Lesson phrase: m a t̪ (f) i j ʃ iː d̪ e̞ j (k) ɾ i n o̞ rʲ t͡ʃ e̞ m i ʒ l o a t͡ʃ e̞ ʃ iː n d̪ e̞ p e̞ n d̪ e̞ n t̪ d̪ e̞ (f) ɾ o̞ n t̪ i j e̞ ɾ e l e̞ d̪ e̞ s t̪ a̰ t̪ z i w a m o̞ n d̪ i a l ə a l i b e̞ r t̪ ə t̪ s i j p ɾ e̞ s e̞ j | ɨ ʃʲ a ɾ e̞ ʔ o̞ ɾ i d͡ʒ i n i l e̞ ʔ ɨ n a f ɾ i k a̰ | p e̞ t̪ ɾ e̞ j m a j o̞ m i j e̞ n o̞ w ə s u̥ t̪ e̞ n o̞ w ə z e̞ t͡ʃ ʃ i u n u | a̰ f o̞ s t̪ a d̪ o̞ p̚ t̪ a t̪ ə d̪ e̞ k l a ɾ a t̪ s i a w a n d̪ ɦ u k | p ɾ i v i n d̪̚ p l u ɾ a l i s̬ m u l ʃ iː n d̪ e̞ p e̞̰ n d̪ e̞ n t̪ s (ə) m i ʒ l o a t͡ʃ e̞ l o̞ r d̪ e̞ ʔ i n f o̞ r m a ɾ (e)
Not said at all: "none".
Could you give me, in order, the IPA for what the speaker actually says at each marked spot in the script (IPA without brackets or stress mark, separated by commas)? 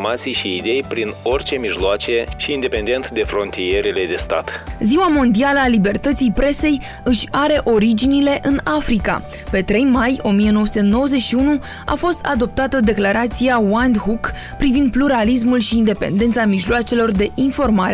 s, p, f, a, e